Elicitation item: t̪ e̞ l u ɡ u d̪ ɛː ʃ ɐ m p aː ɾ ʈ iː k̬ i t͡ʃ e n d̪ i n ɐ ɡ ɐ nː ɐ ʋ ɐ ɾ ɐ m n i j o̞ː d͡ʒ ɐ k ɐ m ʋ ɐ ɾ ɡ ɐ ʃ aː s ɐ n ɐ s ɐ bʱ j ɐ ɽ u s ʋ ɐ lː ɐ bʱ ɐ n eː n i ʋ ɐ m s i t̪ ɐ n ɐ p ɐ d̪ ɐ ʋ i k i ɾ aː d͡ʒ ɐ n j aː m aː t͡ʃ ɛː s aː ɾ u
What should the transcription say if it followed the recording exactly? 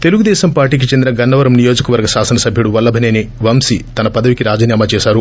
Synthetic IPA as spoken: t̪ e̞ l u ɡ u d̪ ɛː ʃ ɐ m p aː ɾ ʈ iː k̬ i t͡ʃ e n d̪ i n ɐ ɡ ɐ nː ɐ ʋ ɐ ɾ ɐ m n i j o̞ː d͡ʒ ɐ k ɐ ʋ ɐ ɾ ɡ ɐ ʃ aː s ɐ n ɐ s ɐ bʱ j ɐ ɽ u ʋ ɐ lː ɐ bʱ ɐ n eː n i ʋ ɐ m s i t̪ ɐ n ɐ p ɐ d̪ ɐ ʋ i k i ɾ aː d͡ʒ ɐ n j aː m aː t͡ʃ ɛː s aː ɾ u

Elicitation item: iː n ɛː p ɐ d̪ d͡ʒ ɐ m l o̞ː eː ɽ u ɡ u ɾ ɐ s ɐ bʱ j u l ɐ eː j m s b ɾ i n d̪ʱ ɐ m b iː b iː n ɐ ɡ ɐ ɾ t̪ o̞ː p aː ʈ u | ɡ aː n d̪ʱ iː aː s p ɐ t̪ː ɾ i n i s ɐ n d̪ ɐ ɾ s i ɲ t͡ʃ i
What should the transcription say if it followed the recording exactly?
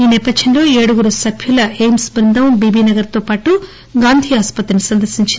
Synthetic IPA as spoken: iː n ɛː p ɐ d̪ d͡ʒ ɐ n l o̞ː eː ɽ u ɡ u ɾ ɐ s ɐ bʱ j u l ɐ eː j m s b ɾ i n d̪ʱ ɐ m b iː b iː n ɐ ɡ ɐ ɾ t̪ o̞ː p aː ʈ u | ɡ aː n d̪ʱ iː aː s p ɐ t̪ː ɾ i n i s ɐ n d̪ ɐ ɾ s i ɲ t͡ʃ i

